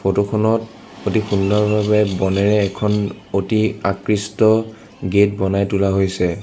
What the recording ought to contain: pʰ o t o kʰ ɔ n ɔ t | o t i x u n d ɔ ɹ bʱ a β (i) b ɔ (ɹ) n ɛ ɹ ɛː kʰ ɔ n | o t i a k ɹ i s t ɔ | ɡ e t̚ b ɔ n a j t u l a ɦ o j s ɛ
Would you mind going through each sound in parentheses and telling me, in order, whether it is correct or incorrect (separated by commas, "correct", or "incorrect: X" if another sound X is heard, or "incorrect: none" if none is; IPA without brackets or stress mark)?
incorrect: ɛ, incorrect: none